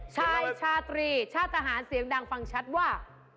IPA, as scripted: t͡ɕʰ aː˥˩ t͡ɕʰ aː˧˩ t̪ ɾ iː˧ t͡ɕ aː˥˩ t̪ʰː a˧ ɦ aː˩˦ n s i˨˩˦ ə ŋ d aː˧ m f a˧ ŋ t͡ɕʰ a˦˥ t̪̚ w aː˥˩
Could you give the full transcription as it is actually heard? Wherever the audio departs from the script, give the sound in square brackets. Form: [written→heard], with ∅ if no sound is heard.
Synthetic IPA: t͡ɕʰ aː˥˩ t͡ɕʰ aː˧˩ t̪ ɾ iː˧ [t͡ɕ→t͡ɕʰ] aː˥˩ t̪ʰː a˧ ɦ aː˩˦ n s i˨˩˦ ə ŋ d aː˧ [m→ŋ] f a˧ ŋ t͡ɕʰ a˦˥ t̪̚ w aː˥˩